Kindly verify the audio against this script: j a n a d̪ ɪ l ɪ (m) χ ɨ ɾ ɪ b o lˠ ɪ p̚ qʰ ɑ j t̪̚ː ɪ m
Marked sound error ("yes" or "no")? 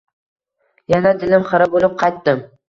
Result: no